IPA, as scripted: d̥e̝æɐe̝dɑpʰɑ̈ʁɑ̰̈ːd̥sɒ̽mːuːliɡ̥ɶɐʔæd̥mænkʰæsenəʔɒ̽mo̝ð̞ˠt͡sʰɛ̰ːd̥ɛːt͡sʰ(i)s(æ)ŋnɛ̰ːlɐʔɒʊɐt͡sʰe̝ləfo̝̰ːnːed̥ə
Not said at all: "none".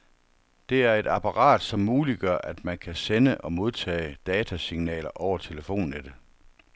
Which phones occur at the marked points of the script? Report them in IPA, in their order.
æ, i

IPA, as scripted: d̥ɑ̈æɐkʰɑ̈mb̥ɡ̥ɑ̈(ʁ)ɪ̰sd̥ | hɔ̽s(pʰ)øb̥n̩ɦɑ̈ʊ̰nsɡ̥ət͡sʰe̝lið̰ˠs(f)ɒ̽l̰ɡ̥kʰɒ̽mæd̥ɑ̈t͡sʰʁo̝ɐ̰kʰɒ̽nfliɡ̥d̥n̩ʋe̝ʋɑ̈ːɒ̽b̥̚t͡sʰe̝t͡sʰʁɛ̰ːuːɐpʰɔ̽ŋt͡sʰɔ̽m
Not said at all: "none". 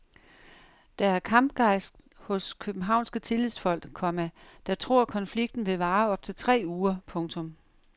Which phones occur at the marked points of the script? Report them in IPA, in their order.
none, kʰ, f

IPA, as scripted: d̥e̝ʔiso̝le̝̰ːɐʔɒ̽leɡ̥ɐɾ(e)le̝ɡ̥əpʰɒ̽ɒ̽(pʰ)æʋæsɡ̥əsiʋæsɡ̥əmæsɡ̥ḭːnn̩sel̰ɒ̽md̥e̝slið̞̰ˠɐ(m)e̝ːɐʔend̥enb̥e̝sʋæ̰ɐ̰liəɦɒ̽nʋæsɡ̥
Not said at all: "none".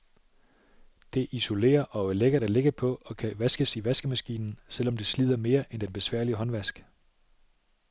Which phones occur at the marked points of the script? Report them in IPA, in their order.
æ, kʰ, m

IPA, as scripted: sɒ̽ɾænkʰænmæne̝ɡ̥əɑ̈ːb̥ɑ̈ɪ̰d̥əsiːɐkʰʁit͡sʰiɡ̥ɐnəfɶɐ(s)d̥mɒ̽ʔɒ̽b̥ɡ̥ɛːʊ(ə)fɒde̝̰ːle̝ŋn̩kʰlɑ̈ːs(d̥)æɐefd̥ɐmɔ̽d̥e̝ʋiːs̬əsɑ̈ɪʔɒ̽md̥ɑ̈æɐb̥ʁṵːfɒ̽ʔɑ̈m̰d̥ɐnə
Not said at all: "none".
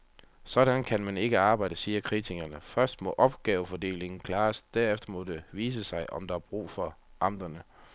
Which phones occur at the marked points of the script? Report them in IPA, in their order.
s, ə, d̥

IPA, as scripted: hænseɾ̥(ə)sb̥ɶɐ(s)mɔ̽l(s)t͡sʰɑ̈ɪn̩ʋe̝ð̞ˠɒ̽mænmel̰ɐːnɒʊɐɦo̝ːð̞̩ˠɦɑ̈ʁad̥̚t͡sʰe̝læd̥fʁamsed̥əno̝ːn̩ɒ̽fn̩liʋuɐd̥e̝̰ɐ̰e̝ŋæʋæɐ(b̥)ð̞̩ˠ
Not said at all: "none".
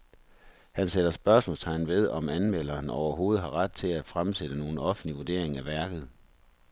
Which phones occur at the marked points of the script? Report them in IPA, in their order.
ɐ, s, s, ɡ̥

